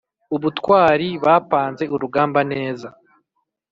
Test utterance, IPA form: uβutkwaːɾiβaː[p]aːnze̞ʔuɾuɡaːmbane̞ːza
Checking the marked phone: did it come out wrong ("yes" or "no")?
no